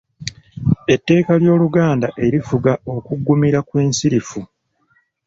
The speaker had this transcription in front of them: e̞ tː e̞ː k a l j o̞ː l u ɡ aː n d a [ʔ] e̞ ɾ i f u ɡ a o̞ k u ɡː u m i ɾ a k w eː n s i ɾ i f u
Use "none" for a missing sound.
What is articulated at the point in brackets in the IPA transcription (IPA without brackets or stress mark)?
ʔ